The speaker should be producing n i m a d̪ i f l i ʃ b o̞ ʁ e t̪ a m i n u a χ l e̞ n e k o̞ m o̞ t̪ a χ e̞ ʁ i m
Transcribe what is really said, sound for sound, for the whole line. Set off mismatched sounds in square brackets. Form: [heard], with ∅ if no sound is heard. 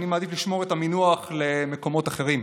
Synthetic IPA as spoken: n i m a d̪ i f l i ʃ [m] o̞ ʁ e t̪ a m i n u a χ l e̞ [m] e k o̞ m o̞ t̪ a χ e̞ ʁ i m